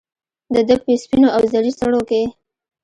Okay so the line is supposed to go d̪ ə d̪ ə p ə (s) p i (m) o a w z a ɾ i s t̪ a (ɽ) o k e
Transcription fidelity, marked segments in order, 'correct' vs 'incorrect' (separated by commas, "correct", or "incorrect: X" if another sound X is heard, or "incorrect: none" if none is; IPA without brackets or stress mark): correct, incorrect: n, correct